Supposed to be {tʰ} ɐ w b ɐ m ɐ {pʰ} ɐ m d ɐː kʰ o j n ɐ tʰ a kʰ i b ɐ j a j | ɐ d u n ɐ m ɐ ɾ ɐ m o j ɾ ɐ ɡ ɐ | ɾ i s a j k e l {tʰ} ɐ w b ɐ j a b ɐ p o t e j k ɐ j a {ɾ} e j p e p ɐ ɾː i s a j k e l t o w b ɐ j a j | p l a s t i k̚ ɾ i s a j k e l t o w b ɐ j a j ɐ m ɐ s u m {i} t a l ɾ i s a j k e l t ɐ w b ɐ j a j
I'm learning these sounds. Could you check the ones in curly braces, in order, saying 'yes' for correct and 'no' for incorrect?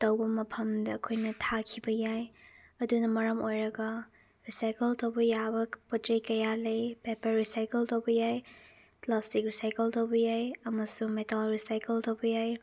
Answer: no, yes, no, no, no

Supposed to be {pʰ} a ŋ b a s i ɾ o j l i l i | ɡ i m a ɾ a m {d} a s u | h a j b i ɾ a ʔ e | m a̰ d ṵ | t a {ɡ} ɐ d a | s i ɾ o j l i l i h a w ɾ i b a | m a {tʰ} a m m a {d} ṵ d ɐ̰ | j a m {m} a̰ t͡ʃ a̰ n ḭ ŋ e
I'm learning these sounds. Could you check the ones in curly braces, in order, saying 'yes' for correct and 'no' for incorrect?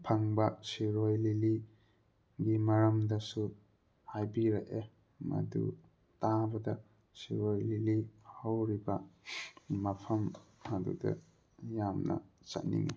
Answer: yes, yes, no, no, yes, no

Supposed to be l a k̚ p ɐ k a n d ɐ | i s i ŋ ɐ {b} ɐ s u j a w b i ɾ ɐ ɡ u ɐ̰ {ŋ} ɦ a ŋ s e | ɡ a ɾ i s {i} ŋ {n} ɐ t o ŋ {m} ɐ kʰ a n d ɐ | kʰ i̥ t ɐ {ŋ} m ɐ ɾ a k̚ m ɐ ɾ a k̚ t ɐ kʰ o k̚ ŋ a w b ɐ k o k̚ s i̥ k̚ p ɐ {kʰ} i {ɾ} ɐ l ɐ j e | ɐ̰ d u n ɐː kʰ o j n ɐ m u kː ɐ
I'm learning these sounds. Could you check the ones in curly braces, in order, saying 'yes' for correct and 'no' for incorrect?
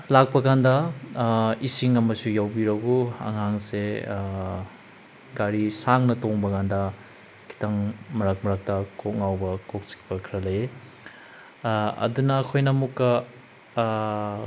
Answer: no, yes, no, yes, no, yes, yes, yes

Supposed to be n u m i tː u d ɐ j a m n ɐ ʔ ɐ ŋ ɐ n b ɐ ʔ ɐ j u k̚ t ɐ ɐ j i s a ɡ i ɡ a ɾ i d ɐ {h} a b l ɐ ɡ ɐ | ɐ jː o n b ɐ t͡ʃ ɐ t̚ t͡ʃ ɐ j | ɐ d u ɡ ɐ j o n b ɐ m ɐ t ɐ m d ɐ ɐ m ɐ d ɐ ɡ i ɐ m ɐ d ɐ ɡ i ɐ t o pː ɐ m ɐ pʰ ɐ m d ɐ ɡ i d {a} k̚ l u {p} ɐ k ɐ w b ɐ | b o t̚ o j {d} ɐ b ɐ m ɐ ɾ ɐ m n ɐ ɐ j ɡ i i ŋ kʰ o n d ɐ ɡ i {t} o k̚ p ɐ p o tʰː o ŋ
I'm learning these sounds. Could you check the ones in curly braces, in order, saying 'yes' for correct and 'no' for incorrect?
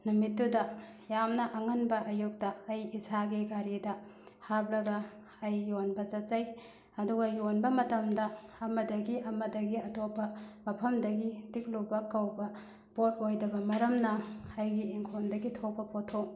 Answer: yes, no, no, yes, no

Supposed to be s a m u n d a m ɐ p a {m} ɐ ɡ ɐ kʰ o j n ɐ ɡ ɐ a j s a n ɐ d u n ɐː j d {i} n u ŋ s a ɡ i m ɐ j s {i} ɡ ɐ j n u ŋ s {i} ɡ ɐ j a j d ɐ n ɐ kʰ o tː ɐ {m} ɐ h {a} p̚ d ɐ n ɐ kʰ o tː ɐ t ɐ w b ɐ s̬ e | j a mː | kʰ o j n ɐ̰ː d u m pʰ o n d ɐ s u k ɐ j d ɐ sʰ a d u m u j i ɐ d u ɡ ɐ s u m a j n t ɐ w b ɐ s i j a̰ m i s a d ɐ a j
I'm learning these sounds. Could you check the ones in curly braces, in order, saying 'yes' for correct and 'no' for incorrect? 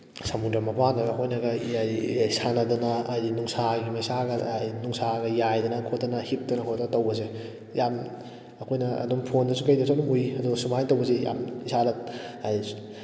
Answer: no, yes, no, no, no, no

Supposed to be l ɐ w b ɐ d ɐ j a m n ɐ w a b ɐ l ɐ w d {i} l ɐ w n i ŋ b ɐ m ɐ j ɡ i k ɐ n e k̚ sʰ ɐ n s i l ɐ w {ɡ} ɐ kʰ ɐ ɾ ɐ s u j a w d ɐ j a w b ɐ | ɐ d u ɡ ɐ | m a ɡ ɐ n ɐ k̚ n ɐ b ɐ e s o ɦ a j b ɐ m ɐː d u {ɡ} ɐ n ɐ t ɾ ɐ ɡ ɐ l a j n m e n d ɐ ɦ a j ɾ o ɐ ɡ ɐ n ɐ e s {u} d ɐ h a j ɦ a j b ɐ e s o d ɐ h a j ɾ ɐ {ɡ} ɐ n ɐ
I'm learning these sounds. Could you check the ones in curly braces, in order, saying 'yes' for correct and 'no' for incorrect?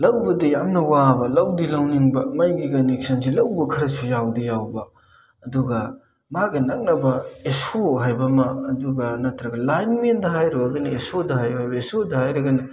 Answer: yes, no, yes, no, yes

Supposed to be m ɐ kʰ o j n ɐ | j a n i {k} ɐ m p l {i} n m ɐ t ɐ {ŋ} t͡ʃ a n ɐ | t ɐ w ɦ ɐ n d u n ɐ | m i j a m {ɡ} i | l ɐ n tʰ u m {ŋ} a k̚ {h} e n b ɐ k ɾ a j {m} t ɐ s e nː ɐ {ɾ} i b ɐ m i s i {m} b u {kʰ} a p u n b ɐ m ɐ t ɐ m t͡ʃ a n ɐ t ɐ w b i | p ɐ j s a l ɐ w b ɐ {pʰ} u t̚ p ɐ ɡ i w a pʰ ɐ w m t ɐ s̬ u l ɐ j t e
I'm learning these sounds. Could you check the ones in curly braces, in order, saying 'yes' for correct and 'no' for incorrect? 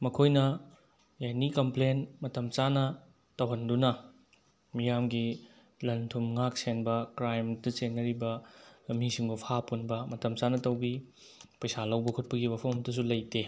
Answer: yes, no, no, yes, yes, no, yes, yes, no, no, no

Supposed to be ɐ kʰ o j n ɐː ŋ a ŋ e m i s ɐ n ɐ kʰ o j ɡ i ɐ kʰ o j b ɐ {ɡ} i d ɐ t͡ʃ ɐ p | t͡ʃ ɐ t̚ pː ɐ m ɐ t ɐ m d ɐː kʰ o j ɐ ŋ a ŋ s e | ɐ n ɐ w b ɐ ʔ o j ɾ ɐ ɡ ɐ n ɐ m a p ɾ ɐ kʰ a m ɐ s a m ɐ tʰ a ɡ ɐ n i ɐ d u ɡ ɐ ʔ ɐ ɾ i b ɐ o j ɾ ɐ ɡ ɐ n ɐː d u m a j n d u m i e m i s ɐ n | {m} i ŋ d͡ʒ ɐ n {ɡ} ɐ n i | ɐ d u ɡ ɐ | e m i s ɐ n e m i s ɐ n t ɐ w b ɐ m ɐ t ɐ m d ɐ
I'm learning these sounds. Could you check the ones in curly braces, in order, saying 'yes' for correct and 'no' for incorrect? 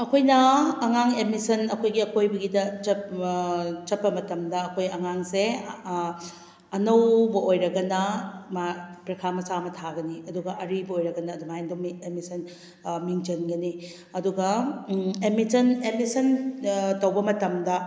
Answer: yes, yes, yes

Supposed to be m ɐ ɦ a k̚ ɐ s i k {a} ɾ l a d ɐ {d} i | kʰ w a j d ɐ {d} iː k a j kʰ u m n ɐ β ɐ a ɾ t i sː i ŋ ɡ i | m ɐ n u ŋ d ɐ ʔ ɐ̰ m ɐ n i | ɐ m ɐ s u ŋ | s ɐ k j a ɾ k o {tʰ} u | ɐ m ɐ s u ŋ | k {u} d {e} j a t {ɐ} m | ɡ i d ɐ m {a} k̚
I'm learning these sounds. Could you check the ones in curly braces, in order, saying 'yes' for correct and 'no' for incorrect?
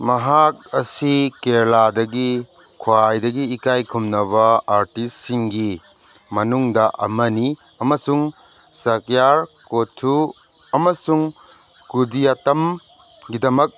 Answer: no, no, no, yes, yes, no, yes, no

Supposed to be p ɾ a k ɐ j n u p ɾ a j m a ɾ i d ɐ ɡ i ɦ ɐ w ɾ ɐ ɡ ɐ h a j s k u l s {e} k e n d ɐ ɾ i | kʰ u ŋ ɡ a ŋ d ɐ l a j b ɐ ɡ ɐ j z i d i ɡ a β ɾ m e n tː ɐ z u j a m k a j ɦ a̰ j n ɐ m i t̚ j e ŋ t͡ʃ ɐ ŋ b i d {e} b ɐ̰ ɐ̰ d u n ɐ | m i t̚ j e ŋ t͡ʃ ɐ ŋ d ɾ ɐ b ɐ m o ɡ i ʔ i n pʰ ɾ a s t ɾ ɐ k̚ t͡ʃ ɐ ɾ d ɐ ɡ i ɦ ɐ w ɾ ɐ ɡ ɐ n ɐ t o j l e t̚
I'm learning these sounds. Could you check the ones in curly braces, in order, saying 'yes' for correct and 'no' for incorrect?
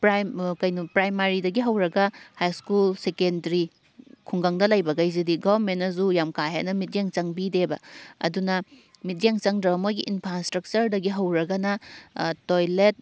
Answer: yes, yes

